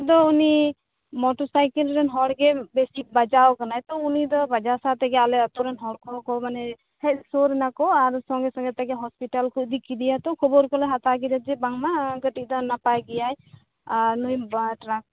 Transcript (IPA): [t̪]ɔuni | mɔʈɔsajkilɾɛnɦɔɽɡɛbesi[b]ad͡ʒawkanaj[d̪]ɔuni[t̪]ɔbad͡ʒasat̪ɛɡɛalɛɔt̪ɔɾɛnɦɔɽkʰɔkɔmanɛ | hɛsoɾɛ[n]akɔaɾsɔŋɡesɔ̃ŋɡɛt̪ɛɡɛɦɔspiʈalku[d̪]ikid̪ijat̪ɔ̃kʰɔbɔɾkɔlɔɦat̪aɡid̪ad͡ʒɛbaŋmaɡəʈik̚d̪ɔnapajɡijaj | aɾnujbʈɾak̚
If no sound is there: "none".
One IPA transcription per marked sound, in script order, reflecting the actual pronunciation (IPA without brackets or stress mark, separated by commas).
d̪, b, t̪, d̪, n, d̪